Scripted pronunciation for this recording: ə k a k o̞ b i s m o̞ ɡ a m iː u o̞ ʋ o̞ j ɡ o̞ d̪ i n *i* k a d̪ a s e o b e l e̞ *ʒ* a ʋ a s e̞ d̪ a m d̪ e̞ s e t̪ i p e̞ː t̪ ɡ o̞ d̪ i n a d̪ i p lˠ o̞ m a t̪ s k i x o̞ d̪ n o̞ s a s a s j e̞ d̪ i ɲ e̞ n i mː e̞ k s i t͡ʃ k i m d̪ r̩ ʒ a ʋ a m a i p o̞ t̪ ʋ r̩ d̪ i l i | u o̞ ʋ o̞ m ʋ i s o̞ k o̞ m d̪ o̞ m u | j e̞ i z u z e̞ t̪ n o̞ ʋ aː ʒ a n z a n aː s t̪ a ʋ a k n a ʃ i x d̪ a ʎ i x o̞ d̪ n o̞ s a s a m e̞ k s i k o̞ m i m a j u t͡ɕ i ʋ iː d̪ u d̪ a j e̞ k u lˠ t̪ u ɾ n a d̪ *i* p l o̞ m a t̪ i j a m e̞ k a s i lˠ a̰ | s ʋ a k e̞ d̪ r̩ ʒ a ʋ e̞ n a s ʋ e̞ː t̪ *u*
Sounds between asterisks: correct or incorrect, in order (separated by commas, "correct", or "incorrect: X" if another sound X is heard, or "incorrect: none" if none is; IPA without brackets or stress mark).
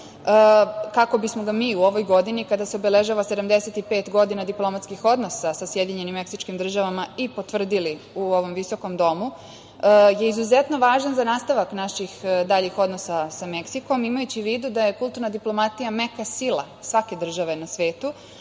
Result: correct, correct, correct, correct